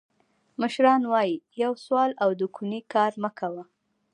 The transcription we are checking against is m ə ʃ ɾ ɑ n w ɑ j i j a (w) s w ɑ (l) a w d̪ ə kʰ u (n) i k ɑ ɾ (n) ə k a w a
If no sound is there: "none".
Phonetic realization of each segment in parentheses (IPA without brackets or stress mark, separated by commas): w, l, n, m